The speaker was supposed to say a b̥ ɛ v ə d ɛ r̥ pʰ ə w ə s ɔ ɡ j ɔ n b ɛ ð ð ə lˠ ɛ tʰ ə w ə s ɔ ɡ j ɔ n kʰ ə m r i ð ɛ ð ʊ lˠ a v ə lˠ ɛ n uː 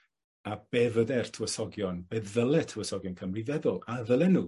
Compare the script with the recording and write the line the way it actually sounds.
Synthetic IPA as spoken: a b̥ ɛ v ə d ɛ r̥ tʰ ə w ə s ɔ ɡ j ɔ n b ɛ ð ð ə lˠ ɛ tʰ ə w ə s ɔ ɡ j ɔ n kʰ ə m r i ð ɛ ð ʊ lˠ a ð ə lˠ ɛ n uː